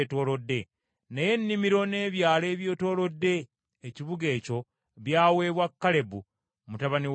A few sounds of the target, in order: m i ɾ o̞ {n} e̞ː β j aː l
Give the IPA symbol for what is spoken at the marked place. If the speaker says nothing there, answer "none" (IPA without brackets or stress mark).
n